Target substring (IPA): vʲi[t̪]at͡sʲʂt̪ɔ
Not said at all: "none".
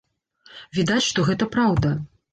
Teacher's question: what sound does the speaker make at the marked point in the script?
d̪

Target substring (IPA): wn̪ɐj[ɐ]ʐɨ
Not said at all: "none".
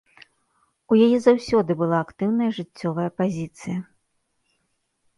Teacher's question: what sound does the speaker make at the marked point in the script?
ɐ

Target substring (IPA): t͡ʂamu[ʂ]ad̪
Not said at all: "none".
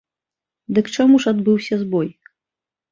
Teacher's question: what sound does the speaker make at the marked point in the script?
ʂ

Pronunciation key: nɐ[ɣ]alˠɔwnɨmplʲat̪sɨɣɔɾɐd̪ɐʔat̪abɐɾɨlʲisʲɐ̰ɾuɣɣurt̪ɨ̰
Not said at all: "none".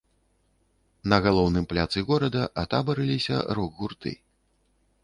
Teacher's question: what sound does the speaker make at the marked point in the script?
ɣ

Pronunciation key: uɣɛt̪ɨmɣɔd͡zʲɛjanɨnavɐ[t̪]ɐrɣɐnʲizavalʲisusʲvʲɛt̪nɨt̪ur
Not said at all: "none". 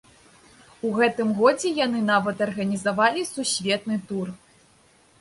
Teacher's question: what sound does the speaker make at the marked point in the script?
t̪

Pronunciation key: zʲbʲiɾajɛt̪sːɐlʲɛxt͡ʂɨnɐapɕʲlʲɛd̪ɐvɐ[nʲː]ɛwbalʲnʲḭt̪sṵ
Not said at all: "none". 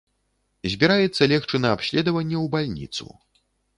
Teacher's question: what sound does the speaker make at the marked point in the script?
nʲː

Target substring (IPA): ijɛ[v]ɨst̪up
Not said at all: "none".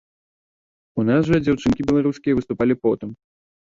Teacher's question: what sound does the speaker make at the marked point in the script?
v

